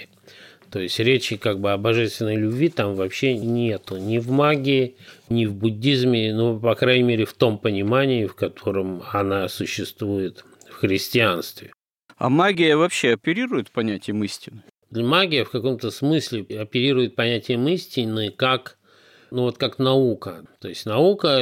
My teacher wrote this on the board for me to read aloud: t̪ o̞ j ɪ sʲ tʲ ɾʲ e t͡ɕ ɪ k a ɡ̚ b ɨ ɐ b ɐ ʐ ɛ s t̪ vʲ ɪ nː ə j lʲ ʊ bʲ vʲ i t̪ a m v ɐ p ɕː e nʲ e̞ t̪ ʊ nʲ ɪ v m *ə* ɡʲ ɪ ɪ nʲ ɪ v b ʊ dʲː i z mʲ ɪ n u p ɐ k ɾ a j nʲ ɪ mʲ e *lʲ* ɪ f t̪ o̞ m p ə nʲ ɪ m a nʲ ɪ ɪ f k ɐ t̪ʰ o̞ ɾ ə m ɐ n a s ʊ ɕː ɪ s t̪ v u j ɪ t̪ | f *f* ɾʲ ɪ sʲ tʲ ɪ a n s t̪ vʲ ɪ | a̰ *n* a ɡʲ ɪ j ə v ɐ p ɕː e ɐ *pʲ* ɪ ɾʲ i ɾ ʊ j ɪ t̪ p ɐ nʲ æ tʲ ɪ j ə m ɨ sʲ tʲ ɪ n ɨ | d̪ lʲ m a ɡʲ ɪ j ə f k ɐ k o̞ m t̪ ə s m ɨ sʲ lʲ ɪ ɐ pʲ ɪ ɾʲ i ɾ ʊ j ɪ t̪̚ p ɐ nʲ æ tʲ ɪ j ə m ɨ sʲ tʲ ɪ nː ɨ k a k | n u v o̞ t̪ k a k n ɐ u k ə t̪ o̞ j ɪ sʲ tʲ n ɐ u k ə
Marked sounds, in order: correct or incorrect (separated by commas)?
incorrect, incorrect, incorrect, incorrect, correct